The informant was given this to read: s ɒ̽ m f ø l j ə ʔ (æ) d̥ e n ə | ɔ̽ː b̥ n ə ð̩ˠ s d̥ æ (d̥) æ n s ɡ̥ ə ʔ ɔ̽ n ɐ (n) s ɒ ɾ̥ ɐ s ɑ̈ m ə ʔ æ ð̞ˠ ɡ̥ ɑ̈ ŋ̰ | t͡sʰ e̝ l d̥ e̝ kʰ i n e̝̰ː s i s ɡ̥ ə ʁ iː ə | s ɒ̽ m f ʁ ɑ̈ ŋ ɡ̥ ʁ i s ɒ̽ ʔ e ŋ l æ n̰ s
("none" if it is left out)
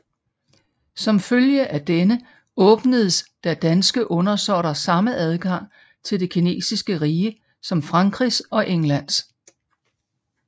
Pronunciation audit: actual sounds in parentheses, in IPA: æ, d̥, none

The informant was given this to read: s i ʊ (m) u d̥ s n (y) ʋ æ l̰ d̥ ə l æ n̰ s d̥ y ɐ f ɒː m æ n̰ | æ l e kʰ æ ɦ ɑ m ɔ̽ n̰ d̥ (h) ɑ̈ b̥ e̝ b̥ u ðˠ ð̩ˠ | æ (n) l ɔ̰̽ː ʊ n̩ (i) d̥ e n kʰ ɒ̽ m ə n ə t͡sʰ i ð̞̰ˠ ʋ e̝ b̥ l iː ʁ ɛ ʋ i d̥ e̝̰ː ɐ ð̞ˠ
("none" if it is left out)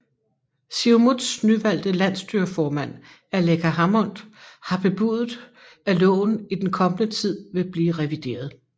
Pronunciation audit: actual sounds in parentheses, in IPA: m, y, h, none, i

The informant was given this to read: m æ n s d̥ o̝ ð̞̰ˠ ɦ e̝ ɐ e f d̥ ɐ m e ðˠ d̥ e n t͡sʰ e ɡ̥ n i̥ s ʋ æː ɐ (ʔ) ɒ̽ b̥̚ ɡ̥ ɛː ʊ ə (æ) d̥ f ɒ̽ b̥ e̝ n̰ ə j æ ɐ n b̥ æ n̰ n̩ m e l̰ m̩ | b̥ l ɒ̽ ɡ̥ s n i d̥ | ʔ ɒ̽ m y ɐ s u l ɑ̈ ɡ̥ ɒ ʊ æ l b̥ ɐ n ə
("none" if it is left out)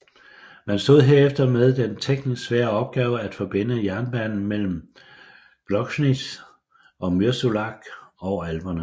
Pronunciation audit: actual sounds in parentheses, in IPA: none, æ

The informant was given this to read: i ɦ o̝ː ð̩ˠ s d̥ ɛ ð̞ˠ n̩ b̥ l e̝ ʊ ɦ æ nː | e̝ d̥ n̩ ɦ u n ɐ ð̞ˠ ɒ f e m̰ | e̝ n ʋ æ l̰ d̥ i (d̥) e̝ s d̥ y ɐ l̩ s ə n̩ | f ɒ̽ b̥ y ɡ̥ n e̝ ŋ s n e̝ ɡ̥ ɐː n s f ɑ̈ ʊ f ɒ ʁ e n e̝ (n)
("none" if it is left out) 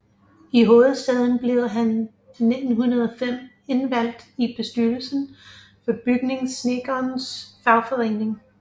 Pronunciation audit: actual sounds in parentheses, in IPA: b̥, ŋ

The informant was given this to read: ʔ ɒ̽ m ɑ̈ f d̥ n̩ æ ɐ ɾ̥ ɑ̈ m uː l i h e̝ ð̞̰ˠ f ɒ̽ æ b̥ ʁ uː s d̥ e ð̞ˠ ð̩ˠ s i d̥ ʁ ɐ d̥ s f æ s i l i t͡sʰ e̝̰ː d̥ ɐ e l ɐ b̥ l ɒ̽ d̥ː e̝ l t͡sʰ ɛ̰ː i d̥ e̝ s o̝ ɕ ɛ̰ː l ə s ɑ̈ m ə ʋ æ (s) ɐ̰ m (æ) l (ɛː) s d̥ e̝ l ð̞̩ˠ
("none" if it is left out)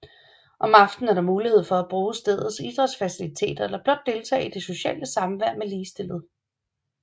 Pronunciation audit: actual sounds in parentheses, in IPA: none, e, iː

